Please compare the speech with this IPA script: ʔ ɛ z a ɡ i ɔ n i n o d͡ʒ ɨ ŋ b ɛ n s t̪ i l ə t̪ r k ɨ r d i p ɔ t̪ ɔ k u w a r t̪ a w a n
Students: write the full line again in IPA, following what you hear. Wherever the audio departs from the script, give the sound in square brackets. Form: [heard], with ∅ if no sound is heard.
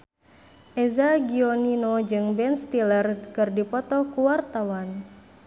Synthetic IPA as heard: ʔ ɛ z a ɡ i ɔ n i n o d͡ʒ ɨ ŋ b ɛ n s t̪ i l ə [∅] r k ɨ r d i p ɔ t̪ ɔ k u w a r t̪ a w a n